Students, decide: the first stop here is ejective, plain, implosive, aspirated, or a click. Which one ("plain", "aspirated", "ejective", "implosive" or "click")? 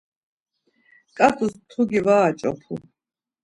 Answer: ejective